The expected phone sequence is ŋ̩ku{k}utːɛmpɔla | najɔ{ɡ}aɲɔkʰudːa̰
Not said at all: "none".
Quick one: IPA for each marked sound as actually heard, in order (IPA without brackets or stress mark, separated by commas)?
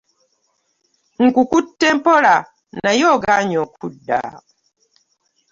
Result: k, ɡ